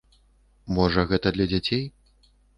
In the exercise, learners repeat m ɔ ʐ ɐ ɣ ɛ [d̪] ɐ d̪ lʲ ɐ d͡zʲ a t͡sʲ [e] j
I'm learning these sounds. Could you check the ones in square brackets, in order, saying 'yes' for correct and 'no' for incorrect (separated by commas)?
no, yes